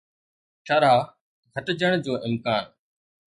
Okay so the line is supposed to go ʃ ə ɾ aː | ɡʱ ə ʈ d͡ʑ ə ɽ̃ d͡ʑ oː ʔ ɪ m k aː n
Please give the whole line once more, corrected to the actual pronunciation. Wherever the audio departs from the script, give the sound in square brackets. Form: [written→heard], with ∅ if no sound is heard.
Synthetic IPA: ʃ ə ɾ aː | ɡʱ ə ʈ d͡ʑ ə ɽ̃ d͡ʑ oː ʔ ɪ m k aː n

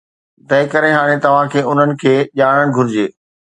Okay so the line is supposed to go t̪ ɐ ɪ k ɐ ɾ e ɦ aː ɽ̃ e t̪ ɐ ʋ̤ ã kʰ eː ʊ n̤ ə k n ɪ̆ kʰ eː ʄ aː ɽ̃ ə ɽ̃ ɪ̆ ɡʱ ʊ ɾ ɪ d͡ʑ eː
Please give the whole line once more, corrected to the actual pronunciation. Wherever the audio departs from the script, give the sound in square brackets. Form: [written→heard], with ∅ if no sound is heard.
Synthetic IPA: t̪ ɐ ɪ k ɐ ɾ e ɦ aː ɽ̃ e t̪ ɐ ʋ̤ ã kʰ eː ʊ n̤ ə [k→∅] n ɪ̆ kʰ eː ʄ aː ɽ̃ ə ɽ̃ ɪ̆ ɡʱ ʊ ɾ ɪ d͡ʑ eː

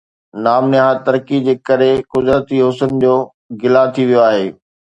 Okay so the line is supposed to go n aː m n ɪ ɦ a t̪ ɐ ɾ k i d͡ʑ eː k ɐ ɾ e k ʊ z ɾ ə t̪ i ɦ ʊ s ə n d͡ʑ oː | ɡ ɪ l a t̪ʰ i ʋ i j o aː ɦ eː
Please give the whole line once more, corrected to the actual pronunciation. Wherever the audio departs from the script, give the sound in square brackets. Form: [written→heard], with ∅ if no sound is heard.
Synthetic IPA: n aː m n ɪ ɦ a t̪ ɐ ɾ k i d͡ʑ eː k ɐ ɾ e k ʊ z ɾ ə t̪ i ɦ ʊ s ə n d͡ʑ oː | ɡ ɪ l a t̪ʰ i ʋ i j o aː ɦ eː

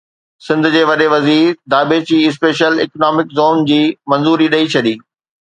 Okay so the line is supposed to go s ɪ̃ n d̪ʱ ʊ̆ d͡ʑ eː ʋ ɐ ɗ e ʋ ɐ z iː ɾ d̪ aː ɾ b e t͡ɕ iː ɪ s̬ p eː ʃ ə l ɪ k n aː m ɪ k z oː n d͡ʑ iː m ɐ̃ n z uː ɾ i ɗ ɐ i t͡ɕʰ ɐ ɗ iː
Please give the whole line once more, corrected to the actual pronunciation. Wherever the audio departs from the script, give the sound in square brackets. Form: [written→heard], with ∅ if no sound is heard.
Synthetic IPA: s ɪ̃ n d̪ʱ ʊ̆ d͡ʑ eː ʋ ɐ ɗ e ʋ ɐ z iː ɾ d̪ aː [ɾ→∅] b e t͡ɕ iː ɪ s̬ p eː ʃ ə l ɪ k n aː m ɪ k z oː n d͡ʑ iː m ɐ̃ n z uː ɾ i ɗ ɐ i t͡ɕʰ ɐ ɗ iː

